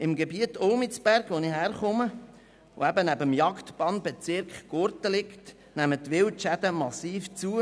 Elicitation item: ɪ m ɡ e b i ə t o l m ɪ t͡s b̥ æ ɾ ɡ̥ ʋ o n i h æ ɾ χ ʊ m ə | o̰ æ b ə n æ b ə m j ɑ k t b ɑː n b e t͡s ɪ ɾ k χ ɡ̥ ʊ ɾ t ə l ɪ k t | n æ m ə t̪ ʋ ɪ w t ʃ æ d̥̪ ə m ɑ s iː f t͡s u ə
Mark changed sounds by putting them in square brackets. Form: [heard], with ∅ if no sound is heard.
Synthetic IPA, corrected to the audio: ɪ m ɡ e b i ə t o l m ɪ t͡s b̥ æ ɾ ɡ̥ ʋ o n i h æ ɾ χ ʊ m ə | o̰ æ b ə n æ b ə m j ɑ k t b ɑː n b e t͡s ɪ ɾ k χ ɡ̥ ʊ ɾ t ə l ɪ k t | n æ m ə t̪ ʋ ɪ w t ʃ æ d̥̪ ə m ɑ s iː f t͡s u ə